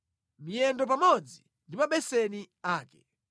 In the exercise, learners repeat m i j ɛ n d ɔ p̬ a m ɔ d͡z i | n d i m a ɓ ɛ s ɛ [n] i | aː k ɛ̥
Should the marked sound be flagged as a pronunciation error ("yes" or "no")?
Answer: no